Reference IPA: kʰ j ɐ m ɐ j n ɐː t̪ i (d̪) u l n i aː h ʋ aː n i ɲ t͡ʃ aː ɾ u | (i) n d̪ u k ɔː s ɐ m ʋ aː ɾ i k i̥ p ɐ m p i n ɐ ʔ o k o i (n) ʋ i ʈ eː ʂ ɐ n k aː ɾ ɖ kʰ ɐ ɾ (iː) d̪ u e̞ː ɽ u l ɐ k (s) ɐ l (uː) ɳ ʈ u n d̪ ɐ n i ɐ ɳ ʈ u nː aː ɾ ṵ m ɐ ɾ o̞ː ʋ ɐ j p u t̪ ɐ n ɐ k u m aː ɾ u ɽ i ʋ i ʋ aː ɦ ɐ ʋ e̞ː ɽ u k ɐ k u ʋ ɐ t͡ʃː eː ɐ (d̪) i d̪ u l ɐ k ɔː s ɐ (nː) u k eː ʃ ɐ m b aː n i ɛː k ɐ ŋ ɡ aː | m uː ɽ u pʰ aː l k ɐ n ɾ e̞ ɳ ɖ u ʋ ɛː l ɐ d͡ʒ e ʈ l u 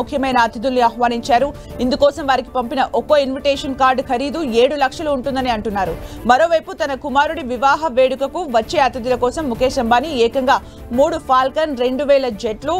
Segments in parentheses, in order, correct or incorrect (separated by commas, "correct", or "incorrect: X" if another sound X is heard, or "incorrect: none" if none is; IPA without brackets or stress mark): correct, correct, correct, correct, incorrect: ʂ, correct, incorrect: t̪, incorrect: mː